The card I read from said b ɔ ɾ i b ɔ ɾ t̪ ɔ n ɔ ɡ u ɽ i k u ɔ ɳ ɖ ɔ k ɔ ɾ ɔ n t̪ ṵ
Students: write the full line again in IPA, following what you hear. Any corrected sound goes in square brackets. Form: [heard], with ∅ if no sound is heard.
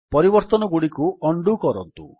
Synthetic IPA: [p] ɔ ɾ i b ɔ ɾ t̪ ɔ n ɔ ɡ u ɽ i k u ɔ ɳ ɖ [u] k ɔ ɾ ɔ n t̪ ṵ